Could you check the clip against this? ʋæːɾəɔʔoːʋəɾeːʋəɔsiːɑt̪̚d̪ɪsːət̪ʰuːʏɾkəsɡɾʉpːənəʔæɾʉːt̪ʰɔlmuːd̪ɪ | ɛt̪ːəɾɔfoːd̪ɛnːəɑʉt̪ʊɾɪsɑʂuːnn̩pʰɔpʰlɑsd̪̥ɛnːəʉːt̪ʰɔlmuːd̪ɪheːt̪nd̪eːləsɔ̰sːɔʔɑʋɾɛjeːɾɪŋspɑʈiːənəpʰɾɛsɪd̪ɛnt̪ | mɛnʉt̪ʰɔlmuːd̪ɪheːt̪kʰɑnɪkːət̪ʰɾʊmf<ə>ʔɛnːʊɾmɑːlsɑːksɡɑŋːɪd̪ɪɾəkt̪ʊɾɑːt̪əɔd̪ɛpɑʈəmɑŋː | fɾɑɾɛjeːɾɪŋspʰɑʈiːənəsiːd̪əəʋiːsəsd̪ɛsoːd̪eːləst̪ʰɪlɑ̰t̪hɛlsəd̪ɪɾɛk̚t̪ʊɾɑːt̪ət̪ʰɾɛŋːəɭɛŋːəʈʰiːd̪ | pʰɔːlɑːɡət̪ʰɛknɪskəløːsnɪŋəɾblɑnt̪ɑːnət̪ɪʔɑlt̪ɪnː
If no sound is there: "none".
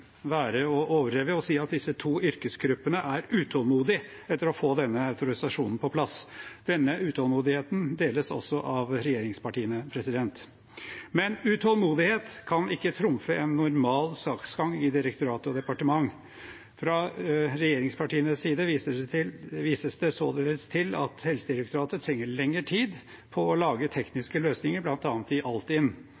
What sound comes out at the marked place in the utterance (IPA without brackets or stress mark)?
ə